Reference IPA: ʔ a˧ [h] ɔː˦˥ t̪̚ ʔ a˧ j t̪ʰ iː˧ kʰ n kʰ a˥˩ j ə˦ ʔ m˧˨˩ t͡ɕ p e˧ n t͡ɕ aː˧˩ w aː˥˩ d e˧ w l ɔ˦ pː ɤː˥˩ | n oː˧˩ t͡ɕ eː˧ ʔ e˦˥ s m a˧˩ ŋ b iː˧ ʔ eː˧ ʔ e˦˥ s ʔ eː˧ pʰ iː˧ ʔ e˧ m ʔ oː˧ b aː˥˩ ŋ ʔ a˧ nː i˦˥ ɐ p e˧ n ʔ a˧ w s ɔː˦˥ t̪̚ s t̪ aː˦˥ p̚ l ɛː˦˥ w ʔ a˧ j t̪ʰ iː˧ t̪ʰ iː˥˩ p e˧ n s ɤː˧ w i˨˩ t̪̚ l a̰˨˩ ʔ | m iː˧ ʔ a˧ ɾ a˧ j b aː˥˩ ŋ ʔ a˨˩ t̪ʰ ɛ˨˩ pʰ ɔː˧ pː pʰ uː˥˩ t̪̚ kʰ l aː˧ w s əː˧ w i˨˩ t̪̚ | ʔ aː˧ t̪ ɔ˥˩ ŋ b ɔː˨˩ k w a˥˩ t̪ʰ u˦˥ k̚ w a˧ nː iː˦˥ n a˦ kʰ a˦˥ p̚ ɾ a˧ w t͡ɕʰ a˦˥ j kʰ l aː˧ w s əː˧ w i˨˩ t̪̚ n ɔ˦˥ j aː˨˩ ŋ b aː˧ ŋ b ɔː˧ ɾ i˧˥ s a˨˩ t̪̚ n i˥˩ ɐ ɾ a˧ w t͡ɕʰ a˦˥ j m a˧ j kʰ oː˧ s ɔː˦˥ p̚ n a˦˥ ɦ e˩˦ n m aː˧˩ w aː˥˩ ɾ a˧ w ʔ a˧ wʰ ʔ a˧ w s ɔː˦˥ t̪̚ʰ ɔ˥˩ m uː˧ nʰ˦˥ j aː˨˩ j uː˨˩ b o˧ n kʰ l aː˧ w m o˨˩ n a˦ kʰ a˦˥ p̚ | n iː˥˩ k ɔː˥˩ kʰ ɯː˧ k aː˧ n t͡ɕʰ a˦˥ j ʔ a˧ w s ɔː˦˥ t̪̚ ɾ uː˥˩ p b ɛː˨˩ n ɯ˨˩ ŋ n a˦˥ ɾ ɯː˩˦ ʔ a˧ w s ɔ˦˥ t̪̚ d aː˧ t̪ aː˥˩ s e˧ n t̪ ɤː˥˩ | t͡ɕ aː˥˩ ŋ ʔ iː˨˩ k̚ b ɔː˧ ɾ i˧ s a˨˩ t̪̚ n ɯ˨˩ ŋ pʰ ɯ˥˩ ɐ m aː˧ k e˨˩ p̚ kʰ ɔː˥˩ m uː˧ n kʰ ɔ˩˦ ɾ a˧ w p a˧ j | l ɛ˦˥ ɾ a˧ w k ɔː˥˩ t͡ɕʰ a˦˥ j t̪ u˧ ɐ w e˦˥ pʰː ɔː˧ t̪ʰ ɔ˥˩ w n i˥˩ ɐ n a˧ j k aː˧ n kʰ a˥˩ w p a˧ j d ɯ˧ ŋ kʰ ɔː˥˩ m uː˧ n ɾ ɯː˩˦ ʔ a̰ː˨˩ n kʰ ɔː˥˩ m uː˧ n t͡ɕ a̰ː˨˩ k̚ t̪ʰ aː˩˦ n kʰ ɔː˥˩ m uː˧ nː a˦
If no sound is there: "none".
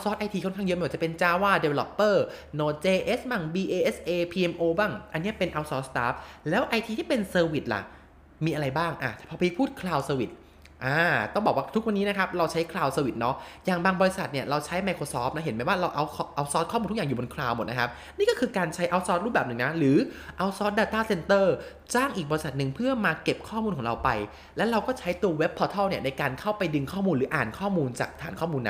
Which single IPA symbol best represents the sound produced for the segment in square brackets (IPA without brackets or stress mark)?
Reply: s